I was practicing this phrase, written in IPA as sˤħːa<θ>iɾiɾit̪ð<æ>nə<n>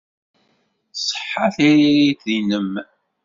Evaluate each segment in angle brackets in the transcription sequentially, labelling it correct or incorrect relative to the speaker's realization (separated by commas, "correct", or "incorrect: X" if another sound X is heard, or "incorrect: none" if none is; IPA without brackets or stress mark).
correct, incorrect: i, incorrect: m